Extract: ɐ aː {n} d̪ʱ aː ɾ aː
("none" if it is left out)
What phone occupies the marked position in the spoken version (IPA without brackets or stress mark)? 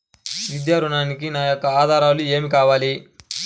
none